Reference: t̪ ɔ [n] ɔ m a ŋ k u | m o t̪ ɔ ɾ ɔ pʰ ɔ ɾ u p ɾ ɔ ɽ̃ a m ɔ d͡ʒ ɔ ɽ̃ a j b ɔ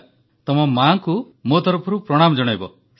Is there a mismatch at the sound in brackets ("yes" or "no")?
yes